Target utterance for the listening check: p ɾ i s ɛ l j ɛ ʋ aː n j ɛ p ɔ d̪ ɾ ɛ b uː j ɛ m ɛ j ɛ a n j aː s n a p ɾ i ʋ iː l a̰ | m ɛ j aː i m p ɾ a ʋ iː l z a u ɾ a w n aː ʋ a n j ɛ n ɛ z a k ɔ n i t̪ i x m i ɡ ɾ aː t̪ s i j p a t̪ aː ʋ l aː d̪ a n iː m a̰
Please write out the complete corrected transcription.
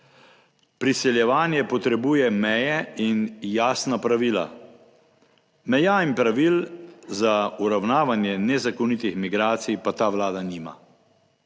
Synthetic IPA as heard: p ɾ i s ɛ l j ɛ ʋ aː n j ɛ p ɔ t̪ ɾ ɛ b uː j ɛ m ɛ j ɛ i n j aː s n a p ɾ a ʋ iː l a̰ | m ɛ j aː i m p ɾ a ʋ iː l z a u ɾ a w n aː ʋ a n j ɛ n ɛ z a k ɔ n i t̪ i x m i ɡ ɾ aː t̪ s i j p a t̪ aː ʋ l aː d̪ a n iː m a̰